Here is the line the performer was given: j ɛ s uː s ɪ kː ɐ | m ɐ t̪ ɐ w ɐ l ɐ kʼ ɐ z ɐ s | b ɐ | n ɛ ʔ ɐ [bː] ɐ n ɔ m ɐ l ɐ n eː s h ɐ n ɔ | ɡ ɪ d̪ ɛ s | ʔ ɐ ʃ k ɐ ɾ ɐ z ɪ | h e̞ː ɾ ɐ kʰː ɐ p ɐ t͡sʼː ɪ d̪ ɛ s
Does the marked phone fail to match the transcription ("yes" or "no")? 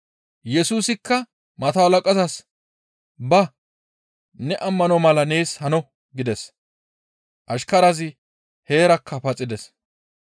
yes